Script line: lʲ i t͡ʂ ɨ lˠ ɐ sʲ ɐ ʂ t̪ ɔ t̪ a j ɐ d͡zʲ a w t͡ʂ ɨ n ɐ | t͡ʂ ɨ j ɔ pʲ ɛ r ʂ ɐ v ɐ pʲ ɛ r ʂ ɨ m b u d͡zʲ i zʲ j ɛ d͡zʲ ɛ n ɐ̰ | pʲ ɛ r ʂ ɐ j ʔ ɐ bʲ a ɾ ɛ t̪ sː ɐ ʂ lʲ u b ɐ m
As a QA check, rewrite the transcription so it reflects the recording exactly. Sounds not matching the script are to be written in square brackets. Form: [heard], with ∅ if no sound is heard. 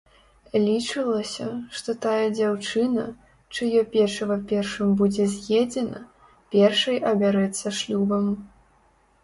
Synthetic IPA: lʲ i t͡ʂ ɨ lˠ ɐ sʲ ɐ ʂ t̪ ɔ t̪ a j ɐ d͡zʲ a w t͡ʂ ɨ n ɐ | t͡ʂ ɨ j ɔ pʲ ɛ r ʂ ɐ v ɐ pʲ ɛ r ʂ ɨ m b u d͡zʲ [ɛ] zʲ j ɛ d͡zʲ ɛ n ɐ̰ | pʲ ɛ r ʂ ɐ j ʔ ɐ bʲ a ɾ ɛ t̪ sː ɐ ʂ lʲ u b ɐ m